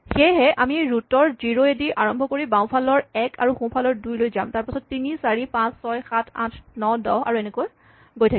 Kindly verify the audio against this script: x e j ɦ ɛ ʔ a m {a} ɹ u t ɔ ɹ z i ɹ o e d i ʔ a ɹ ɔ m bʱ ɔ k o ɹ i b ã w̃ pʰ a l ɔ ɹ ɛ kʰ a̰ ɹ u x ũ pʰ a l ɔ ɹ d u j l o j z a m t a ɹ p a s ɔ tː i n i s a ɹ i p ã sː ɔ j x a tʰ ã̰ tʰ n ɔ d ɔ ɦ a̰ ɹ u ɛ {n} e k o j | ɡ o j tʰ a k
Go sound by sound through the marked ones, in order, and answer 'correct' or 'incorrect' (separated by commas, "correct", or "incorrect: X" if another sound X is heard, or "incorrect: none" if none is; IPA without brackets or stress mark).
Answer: incorrect: i, correct